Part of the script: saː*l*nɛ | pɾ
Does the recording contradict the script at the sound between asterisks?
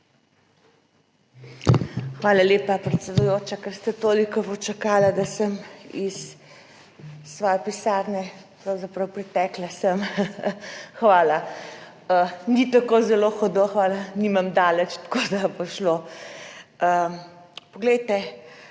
yes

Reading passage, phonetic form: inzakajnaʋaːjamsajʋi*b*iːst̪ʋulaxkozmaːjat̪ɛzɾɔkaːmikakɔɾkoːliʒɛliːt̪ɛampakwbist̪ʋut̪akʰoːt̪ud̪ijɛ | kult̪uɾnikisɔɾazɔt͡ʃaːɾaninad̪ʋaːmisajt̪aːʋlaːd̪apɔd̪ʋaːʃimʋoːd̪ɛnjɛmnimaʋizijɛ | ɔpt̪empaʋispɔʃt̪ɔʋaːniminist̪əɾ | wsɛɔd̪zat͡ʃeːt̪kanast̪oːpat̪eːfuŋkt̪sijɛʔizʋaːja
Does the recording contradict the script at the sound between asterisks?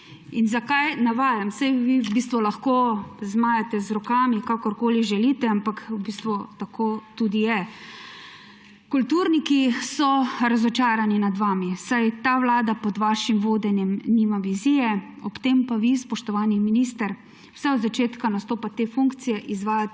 no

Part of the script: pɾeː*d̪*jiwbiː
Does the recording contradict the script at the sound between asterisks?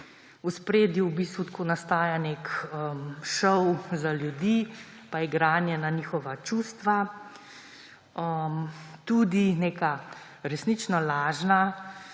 no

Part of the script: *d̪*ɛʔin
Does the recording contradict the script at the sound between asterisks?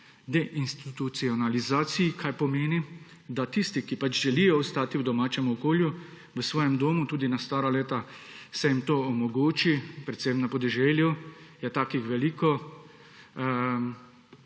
no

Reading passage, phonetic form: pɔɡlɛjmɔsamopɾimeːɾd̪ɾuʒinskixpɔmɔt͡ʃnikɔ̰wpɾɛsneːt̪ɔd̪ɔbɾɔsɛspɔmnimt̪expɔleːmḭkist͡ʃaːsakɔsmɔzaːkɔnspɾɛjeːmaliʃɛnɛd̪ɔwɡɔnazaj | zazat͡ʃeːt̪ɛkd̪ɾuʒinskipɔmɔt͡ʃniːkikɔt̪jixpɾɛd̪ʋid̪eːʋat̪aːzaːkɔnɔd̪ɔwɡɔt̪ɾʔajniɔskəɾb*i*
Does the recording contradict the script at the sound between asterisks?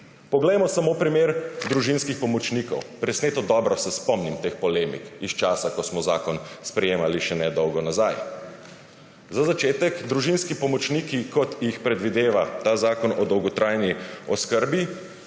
no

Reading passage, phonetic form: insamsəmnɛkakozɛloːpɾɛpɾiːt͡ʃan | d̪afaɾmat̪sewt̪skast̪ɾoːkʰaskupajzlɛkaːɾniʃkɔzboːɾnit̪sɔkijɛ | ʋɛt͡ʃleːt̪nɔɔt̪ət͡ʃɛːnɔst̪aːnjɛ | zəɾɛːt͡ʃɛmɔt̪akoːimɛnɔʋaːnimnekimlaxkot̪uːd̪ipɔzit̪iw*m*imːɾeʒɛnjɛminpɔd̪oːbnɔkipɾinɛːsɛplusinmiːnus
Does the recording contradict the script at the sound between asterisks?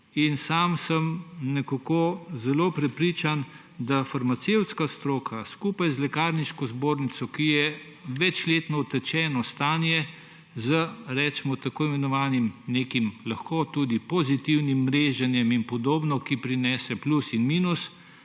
yes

